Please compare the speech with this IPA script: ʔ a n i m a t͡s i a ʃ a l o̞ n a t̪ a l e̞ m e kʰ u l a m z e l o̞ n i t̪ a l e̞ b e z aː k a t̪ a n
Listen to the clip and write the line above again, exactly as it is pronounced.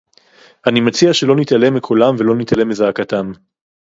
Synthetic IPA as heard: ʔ a n i m a t͡s i a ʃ e l o̞ n i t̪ a l e̞ m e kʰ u l a m v e l o̞ n i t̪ a l e̞ m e z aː k a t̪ a m